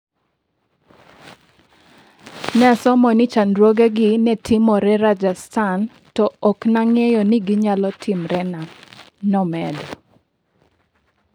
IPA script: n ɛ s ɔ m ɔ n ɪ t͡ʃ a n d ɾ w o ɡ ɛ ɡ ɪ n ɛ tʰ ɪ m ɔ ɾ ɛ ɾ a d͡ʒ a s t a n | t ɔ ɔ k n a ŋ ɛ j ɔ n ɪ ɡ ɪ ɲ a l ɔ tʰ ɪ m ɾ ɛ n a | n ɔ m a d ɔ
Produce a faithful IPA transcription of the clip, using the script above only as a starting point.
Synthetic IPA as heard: n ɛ s ɔ m ɔ n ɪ t͡ʃ a n d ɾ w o ɡ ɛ ɡ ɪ n ɛ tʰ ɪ m ɔ ɾ ɛ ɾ a d͡ʒ a s t a n | t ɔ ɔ k n a ŋ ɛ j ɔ n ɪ ɡ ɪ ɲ a l ɔ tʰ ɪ m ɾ ɛ n a | n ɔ m ɛ d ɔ